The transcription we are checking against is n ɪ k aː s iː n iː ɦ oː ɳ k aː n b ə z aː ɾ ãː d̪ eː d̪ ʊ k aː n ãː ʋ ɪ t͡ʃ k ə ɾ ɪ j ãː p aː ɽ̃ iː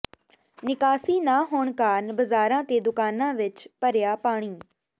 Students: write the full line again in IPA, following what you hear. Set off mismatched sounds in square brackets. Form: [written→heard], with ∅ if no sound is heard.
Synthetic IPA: n ɪ k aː s iː n [iː→aː] ɦ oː ɳ k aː n b ə z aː ɾ ãː [d̪→t̪] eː d̪ ʊ k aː n ãː ʋ ɪ t͡ʃ [k→p] ə ɾ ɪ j [ãː→aː] p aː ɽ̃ iː